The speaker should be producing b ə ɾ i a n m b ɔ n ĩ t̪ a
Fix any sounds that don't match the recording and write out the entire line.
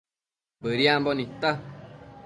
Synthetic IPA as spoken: b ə ɾ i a m b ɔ n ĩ t̪ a